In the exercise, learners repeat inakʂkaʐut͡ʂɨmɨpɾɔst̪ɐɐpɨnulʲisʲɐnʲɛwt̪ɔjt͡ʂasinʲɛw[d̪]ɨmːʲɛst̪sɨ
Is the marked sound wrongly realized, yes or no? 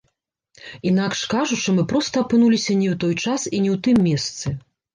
yes